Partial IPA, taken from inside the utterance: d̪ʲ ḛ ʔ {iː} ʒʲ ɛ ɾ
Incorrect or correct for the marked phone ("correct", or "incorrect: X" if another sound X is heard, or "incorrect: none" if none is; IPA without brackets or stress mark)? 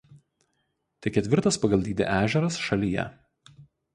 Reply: incorrect: æː